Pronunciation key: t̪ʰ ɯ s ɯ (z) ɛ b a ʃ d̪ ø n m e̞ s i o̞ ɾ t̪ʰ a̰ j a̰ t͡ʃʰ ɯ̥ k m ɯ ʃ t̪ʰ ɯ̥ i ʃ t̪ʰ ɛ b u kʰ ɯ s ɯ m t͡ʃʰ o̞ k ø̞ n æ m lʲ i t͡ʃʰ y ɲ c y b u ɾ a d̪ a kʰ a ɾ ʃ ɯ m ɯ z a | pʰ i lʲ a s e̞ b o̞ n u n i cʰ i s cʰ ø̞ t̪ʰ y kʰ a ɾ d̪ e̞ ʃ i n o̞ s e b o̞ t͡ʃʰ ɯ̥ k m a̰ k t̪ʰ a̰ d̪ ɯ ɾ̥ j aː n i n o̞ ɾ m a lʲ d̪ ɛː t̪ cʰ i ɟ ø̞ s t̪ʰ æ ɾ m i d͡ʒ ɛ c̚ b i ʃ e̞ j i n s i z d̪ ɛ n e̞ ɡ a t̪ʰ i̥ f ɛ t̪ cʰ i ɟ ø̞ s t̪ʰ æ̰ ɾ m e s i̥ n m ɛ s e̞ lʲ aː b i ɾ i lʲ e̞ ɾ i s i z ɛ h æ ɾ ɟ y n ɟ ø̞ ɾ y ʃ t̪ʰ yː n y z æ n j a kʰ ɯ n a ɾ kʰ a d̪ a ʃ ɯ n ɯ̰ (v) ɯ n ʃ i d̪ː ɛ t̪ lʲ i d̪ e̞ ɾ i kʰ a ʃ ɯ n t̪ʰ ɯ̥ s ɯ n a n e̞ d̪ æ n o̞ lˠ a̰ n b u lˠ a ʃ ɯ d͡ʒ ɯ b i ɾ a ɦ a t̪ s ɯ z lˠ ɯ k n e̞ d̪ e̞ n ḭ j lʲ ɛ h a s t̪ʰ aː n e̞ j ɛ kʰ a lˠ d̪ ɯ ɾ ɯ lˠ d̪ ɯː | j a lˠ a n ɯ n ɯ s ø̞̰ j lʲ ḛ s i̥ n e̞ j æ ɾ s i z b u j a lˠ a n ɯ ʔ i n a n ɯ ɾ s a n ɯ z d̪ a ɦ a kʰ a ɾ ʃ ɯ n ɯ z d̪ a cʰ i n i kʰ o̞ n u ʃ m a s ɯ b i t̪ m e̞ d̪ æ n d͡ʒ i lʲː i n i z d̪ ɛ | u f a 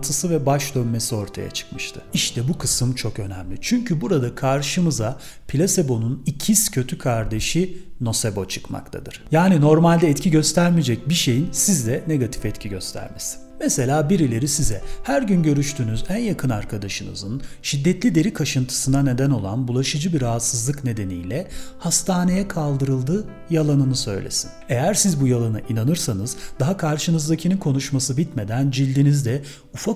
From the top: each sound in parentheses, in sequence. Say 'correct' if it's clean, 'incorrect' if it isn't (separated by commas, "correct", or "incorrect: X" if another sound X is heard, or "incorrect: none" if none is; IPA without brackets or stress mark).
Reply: incorrect: v, incorrect: z